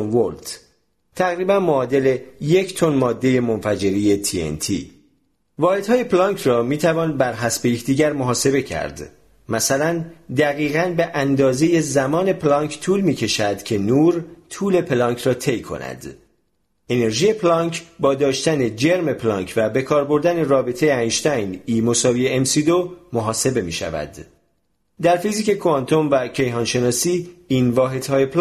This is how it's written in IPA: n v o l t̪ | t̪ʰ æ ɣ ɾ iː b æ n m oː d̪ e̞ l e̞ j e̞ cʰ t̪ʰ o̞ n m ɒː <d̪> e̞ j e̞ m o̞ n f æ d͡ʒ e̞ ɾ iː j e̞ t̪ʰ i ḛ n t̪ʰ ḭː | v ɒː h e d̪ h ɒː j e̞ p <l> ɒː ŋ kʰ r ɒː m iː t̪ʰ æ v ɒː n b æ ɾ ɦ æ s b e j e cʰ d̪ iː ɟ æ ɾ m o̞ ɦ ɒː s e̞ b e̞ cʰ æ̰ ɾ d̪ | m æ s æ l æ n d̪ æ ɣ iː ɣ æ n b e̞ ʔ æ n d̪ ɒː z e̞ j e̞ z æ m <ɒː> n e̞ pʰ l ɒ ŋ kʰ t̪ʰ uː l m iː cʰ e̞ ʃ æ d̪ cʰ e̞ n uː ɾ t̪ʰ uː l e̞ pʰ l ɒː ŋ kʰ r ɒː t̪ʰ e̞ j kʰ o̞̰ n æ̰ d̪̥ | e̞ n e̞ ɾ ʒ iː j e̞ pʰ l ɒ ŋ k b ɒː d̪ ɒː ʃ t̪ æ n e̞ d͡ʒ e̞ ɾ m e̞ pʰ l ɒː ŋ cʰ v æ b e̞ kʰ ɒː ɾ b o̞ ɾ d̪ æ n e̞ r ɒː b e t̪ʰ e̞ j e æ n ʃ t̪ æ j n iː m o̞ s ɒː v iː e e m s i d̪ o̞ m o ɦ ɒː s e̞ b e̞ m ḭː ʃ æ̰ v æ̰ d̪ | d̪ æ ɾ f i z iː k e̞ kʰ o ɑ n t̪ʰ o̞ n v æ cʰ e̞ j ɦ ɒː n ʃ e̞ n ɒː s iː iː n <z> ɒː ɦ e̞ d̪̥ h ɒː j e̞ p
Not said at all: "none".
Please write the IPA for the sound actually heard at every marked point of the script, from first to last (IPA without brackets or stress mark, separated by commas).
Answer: d̪ː, l, ɒː, v